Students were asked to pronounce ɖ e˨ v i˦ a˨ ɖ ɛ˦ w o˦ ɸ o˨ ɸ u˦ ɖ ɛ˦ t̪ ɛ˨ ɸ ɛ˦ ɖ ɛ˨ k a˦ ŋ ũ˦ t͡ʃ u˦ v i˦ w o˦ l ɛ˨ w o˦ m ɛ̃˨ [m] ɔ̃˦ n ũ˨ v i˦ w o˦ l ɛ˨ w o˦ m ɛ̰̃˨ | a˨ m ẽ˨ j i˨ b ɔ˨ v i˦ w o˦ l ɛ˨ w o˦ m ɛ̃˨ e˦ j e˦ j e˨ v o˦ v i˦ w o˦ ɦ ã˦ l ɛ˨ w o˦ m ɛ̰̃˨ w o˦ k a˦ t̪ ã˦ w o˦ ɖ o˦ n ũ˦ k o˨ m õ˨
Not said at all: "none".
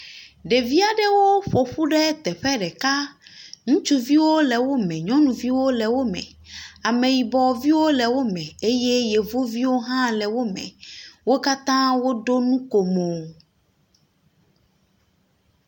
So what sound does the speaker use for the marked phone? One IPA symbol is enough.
ɲ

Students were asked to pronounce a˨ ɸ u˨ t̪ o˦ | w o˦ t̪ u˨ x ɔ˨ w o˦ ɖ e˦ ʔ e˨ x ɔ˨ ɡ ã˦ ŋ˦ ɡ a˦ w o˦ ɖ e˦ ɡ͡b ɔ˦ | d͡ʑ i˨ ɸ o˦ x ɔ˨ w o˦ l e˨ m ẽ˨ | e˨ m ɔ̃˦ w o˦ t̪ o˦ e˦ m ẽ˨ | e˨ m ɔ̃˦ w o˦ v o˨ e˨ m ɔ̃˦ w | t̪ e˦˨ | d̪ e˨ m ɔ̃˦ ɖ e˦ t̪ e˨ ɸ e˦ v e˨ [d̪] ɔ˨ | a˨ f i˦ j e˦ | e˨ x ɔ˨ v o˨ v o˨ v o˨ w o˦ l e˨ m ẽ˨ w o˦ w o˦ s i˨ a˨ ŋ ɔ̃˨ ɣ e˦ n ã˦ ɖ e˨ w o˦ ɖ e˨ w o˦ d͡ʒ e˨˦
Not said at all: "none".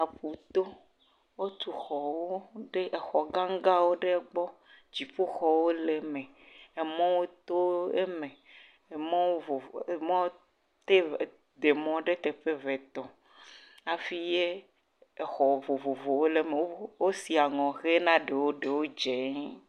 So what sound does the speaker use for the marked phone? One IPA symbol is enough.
t̪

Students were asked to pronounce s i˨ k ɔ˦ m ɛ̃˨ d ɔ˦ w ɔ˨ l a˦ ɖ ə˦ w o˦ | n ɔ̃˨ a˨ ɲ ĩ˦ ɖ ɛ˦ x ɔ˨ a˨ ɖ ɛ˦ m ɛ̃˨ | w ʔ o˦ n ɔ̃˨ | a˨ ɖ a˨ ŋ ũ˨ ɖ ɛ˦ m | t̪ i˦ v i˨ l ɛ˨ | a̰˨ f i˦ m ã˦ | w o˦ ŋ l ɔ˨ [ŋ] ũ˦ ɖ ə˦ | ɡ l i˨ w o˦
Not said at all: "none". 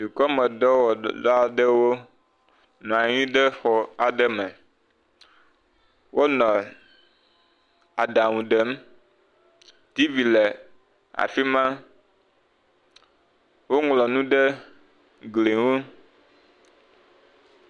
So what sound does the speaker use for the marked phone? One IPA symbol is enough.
n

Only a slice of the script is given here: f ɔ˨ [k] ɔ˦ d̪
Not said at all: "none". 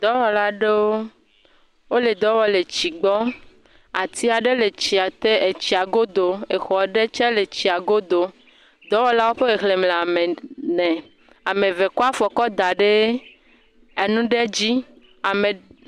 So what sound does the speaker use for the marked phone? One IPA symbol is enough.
k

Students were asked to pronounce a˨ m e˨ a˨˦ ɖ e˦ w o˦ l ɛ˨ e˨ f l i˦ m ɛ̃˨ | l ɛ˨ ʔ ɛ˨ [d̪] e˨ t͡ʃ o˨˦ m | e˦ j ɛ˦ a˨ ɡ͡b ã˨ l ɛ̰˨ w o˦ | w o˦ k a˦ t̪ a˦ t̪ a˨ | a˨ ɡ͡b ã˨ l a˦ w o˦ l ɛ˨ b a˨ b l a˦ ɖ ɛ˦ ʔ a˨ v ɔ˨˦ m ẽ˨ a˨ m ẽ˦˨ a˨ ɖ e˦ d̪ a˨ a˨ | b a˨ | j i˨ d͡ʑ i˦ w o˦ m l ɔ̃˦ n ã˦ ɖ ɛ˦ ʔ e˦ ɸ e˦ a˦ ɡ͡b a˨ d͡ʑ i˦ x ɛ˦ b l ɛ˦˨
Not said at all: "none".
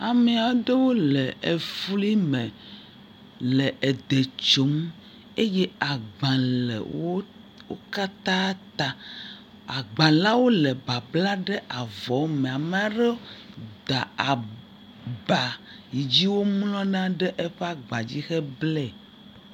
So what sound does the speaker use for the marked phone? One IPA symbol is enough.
d̪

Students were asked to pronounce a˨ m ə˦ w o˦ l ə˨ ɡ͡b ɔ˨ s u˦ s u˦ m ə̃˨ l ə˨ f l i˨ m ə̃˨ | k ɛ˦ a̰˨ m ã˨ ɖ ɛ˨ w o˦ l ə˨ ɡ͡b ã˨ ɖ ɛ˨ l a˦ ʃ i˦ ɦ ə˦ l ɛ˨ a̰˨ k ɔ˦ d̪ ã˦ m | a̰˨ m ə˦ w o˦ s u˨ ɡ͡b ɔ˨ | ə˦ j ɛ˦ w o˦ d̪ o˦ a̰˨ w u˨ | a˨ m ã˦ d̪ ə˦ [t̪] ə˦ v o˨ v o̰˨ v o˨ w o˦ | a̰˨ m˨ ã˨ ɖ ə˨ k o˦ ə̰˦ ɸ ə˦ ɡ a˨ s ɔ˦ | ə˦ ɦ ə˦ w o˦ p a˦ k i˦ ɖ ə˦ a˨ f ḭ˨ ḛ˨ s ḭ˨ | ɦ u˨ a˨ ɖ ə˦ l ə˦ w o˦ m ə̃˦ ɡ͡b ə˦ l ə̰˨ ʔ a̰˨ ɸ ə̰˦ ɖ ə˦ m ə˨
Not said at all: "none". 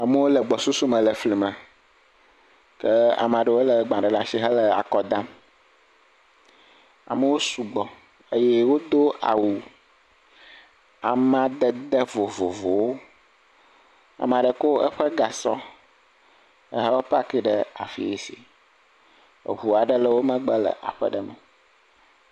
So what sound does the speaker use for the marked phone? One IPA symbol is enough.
d̪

